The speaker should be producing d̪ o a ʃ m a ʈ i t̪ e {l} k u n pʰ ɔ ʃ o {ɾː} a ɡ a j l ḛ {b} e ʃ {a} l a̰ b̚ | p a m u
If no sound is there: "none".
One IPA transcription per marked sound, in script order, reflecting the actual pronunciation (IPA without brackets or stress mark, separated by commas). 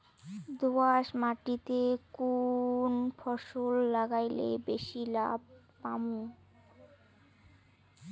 none, lː, b, i